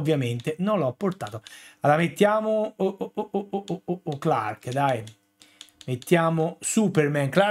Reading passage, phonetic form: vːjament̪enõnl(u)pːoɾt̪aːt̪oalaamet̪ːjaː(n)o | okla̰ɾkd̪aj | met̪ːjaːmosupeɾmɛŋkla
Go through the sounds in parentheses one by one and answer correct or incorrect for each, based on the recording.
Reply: incorrect: ɔ, incorrect: m

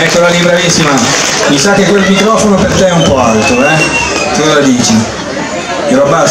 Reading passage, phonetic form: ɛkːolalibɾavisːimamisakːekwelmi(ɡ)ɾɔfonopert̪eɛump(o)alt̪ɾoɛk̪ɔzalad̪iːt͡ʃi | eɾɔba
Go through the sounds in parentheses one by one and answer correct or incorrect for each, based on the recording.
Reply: incorrect: k, incorrect: ɔ

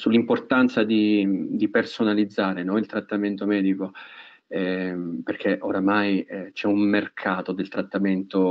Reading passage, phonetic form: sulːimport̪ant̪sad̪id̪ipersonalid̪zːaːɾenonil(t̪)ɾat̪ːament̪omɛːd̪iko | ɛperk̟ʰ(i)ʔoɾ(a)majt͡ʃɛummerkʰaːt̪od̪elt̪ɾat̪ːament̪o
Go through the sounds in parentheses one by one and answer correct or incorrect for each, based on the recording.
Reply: correct, incorrect: e, correct

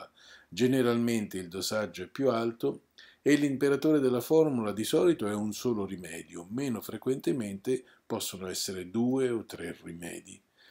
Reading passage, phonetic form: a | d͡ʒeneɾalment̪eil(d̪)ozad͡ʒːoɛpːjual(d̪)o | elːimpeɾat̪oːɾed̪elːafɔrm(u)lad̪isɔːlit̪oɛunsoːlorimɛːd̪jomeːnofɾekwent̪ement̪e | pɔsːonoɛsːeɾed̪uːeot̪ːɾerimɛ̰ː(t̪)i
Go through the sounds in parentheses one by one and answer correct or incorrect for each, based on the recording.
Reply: correct, incorrect: t̪, correct, incorrect: d̪

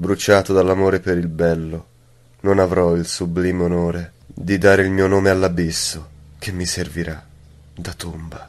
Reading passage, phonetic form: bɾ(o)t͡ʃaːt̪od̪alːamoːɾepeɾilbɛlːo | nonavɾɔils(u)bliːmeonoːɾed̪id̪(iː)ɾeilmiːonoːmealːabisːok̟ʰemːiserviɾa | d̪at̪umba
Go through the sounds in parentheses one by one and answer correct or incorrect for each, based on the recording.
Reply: incorrect: u, correct, incorrect: aː

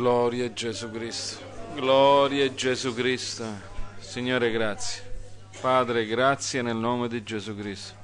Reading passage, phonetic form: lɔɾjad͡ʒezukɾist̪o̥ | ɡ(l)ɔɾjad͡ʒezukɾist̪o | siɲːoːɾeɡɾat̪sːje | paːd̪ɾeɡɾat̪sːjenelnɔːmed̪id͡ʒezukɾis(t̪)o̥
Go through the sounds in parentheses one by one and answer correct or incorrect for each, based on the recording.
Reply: correct, correct

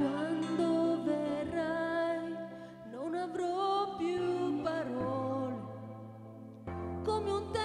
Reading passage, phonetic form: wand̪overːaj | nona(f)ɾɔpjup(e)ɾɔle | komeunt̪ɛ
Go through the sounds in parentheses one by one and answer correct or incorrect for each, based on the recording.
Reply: incorrect: v, incorrect: a

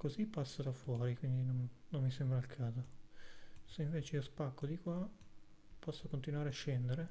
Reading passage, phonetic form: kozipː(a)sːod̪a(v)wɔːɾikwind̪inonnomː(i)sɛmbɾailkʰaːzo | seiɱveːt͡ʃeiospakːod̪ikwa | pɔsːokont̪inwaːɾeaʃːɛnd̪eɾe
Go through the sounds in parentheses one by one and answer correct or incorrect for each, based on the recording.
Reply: correct, incorrect: f, correct

